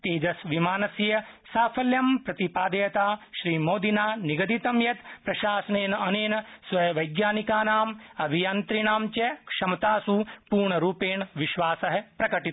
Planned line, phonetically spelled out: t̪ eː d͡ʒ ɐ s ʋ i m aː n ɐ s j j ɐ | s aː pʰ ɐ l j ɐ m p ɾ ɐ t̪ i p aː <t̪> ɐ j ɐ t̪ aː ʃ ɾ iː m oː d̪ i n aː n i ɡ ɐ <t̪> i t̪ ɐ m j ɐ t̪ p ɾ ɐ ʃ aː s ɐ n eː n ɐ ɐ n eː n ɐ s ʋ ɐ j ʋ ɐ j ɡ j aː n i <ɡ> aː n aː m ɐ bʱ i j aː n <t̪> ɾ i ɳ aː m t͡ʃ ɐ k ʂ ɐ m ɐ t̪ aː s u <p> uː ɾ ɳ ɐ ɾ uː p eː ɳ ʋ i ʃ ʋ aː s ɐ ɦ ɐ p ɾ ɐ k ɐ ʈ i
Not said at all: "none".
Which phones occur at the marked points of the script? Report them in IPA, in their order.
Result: d̪, d̪, k, t̪, p

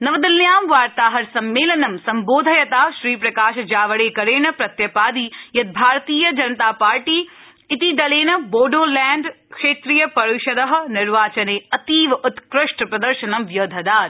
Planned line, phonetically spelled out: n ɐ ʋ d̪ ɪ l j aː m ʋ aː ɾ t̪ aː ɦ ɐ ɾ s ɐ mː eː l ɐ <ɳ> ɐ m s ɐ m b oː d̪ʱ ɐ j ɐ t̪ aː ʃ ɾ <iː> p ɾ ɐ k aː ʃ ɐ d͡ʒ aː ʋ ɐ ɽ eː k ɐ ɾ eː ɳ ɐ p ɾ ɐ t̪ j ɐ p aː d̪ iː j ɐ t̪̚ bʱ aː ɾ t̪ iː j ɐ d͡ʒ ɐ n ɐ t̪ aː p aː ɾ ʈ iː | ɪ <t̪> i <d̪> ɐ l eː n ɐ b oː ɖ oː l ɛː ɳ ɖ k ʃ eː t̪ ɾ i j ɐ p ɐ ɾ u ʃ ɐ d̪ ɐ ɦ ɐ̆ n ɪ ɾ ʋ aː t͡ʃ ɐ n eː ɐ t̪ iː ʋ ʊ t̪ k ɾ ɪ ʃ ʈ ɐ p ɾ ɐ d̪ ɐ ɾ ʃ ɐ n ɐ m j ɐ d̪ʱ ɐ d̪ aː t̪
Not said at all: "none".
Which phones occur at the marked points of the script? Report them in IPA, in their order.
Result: n, iː, t̪, d̪

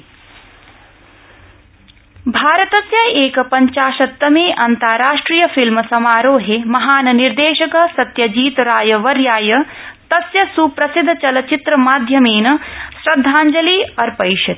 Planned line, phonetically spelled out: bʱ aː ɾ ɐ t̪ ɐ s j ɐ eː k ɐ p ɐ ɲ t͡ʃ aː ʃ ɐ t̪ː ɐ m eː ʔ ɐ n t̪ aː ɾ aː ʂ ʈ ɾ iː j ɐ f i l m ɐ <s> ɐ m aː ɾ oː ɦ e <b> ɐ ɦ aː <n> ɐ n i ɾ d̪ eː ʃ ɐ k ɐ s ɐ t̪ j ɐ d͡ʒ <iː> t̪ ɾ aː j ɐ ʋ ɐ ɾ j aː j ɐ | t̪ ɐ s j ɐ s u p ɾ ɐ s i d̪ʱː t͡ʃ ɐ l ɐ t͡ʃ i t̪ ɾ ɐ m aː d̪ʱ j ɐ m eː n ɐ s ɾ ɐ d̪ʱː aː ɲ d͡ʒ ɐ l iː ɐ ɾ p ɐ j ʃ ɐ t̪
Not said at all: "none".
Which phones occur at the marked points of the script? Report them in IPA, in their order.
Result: s, m, n, iː

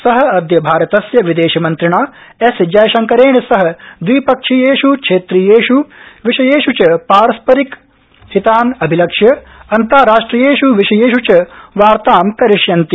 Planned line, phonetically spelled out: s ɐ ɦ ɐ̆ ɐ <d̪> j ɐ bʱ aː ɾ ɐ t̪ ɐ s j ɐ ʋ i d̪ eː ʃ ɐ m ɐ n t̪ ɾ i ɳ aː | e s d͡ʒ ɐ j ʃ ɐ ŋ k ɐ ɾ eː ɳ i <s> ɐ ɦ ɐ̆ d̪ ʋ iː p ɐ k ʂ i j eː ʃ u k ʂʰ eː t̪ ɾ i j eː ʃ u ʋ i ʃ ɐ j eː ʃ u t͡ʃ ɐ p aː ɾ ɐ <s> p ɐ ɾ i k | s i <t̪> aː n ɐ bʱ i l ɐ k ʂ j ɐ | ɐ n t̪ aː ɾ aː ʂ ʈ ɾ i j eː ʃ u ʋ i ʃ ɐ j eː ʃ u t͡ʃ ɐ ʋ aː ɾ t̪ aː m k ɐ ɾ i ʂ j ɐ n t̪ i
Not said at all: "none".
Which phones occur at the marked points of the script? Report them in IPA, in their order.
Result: d̪, s, s, t̪

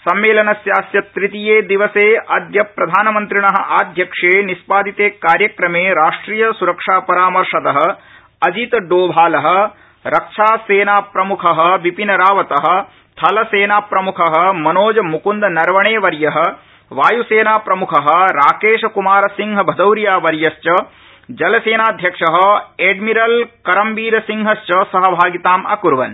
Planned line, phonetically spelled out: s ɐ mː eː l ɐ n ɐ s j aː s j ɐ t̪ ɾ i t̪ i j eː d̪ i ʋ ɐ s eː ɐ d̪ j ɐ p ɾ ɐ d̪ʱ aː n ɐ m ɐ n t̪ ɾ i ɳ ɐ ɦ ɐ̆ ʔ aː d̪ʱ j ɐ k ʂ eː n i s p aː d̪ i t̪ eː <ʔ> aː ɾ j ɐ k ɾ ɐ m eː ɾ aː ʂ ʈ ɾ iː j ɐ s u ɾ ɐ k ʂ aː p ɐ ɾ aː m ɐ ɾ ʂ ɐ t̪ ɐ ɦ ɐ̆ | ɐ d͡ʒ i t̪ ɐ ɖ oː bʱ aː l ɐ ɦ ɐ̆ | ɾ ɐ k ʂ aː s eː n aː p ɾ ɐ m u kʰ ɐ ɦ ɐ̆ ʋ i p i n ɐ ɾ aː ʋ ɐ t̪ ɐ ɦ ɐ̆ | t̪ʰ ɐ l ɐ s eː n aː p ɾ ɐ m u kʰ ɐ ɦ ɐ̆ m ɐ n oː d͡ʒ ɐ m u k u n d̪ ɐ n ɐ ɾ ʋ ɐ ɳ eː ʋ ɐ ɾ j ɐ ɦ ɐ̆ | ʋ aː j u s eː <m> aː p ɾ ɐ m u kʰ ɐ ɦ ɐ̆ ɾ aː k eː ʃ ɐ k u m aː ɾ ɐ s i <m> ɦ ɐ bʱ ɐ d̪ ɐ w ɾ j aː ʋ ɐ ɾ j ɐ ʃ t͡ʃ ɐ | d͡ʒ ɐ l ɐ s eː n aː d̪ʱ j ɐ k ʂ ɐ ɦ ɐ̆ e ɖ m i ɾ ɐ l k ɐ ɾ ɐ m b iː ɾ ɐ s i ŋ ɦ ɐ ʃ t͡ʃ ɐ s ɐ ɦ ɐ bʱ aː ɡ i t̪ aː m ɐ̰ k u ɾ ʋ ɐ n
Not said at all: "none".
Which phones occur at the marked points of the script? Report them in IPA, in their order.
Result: k, n, ŋ

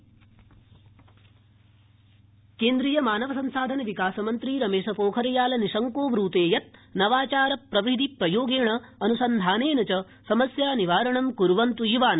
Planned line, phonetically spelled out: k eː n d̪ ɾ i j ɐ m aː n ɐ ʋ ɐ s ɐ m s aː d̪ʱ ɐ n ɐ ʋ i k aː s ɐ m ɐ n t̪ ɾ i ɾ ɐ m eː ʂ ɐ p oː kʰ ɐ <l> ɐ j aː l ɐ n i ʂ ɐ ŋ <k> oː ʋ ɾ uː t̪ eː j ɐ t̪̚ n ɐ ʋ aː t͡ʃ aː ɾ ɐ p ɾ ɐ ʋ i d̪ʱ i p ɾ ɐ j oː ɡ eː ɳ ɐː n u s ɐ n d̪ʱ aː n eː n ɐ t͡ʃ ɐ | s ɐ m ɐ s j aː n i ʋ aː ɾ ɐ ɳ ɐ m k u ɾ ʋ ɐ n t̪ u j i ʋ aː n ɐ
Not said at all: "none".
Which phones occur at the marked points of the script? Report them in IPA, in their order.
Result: ɾ, k

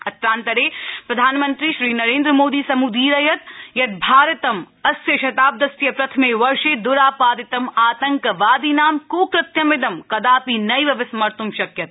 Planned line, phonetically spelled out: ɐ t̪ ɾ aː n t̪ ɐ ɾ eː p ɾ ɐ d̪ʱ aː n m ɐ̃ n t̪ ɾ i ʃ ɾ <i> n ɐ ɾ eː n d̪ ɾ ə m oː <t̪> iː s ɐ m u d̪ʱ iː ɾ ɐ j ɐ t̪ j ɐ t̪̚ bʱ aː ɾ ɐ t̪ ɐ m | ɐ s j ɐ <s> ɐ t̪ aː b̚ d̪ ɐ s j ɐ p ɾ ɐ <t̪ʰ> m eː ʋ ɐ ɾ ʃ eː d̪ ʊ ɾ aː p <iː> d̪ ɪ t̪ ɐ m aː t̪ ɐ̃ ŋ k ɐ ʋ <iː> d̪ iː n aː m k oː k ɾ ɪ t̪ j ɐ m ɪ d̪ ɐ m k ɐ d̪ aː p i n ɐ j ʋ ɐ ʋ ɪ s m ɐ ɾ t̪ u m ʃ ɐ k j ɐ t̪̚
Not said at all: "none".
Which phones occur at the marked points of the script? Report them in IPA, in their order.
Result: iː, d̪, ʃ, t̪ʰ, aː, aː

